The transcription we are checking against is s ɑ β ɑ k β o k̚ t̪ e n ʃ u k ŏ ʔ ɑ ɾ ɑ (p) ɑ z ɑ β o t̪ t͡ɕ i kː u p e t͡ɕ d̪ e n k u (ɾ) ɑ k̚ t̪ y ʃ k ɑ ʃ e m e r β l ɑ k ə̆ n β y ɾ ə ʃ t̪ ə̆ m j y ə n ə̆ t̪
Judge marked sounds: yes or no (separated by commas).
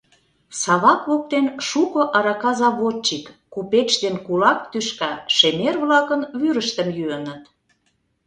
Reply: no, no